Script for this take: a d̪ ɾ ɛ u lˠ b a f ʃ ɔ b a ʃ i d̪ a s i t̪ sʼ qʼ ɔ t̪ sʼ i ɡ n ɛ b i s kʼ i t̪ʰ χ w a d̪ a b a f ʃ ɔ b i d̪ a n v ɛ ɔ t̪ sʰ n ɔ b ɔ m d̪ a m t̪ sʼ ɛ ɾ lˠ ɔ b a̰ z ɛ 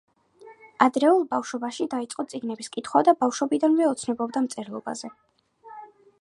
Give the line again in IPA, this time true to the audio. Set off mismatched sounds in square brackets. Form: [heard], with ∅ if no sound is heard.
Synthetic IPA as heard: a d̪ ɾ ɛ u lˠ b a f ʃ ɔ b a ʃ i d̪ a [∅] i t̪ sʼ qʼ ɔ t̪ sʼ i ɡ n ɛ b i s kʼ i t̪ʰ χ w a d̪ a b a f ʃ ɔ b i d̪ a n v ɛ ɔ t̪ sʰ n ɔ b ɔ [b] d̪ a m t̪ sʼ ɛ ɾ lˠ ɔ b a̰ z ɛ